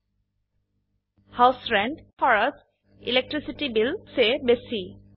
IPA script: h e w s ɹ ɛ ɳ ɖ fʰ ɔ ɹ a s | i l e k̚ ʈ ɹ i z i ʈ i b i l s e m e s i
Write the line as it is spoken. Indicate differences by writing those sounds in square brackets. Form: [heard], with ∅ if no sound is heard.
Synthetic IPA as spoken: h [a] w s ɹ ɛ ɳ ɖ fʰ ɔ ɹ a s | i l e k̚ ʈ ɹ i [s] i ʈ i b i l s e [b] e s i

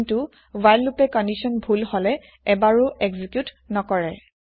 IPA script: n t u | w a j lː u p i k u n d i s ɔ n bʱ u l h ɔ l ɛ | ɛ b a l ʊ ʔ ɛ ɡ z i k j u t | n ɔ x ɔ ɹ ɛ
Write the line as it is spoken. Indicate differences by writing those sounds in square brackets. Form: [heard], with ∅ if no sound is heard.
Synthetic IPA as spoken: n t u | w a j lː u p [ɛ] k [ɔ] n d i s ɔ n bʱ u l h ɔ l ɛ | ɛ b a [ɹ] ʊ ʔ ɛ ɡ z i k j u t | n ɔ [k] ɔ ɹ ɛ

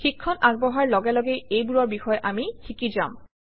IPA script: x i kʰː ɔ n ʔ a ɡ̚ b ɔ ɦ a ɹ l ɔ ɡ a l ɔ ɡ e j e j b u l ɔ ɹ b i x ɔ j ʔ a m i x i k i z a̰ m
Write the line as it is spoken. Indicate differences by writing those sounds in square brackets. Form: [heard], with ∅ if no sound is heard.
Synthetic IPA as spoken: x i kʰː ɔ n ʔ a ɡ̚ b ɔ ɦ a ɹ l ɔ ɡ [ɛ] l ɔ ɡ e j e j b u [ɹ] ɔ ɹ b i x ɔ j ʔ a m i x i k i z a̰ m

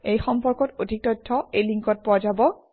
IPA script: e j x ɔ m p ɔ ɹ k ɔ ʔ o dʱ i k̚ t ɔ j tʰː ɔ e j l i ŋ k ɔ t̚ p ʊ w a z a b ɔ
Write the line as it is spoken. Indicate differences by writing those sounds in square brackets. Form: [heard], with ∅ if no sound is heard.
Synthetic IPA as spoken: e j x ɔ m p ɔ ɹ k ɔ [t] o dʱ i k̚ t ɔ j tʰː ɔ e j l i ŋ k ɔ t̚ p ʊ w a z a b ɔ

